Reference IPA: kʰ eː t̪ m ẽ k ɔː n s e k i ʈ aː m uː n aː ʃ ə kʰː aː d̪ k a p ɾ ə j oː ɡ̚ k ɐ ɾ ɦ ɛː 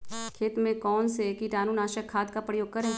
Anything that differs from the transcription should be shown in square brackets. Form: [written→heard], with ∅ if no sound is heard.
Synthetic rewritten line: kʰ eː t̪ m ẽ k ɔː n s e k i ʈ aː [m→n] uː n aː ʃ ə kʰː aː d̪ k a p ɾ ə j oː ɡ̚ k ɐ ɾ ɦ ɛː